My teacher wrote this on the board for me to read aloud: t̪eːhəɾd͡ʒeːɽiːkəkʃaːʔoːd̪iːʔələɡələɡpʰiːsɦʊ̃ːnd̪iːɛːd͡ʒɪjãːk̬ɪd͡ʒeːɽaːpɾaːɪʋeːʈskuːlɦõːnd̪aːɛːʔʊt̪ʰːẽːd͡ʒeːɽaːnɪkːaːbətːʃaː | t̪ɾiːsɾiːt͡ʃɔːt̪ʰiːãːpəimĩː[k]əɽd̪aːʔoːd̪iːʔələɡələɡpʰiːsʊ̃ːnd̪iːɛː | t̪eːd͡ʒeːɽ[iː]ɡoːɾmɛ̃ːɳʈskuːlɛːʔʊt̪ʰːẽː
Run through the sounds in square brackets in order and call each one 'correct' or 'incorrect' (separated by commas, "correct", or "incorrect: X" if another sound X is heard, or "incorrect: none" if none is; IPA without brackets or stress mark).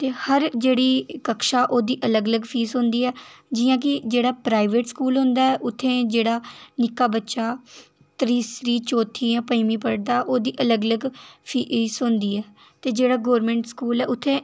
incorrect: p, incorrect: aː